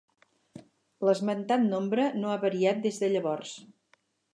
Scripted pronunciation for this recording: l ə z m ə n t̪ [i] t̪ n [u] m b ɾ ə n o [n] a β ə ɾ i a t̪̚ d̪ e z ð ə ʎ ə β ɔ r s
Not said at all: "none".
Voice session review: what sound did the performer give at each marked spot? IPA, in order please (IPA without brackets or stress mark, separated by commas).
a, o, none